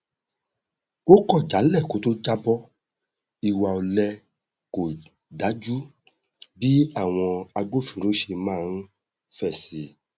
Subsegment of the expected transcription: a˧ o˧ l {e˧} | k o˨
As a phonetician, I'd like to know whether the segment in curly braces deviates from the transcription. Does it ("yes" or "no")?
yes